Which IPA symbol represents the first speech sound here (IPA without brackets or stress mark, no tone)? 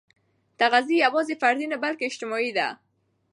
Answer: t̪